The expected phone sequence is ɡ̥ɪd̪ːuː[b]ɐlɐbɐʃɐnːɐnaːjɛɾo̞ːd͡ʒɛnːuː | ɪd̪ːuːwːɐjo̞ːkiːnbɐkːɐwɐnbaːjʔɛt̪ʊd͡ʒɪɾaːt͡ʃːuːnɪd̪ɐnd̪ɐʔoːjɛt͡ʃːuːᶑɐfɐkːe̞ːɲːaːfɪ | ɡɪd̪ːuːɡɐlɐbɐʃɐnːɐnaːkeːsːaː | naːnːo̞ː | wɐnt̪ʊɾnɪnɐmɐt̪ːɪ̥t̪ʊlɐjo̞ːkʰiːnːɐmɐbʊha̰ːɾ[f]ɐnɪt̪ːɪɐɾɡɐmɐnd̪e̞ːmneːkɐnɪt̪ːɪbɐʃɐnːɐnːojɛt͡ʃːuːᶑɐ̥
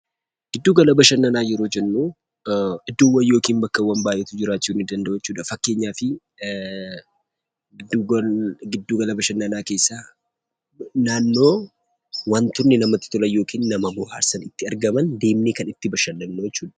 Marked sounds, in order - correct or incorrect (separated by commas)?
incorrect, incorrect